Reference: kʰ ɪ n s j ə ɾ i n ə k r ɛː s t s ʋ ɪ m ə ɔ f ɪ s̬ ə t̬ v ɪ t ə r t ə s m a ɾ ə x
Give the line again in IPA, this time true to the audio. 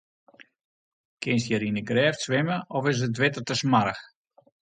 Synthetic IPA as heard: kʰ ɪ n s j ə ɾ i n ə ɡ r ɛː f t s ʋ ɪ m ə ɔ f ɪ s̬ ə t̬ ʋ ɪ t ə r t ə s m a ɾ ə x